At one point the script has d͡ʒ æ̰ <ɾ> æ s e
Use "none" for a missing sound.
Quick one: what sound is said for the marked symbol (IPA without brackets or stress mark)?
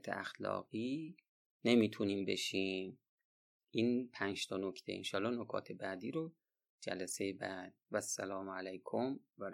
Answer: l